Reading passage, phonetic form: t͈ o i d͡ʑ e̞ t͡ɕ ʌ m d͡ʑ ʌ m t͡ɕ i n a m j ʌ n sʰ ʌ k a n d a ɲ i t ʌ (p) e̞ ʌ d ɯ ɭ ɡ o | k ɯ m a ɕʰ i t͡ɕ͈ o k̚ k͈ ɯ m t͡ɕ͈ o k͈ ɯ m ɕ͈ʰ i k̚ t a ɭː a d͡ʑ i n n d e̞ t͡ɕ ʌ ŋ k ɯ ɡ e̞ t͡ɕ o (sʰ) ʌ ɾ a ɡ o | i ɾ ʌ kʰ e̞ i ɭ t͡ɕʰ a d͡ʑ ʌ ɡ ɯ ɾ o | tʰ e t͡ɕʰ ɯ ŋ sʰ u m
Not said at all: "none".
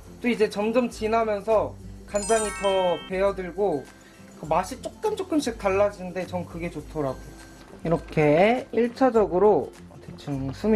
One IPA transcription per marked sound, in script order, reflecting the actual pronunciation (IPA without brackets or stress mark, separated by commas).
p, tʰ